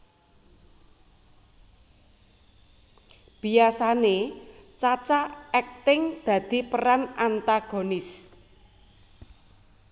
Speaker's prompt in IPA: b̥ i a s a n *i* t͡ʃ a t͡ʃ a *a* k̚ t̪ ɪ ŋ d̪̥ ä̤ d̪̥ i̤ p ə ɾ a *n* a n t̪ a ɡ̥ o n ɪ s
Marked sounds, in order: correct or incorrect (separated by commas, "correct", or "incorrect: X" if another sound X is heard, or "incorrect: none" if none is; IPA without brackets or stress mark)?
incorrect: e, incorrect: ɛ, correct